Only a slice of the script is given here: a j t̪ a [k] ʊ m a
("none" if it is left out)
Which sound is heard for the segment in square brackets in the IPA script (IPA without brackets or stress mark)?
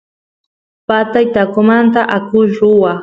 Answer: k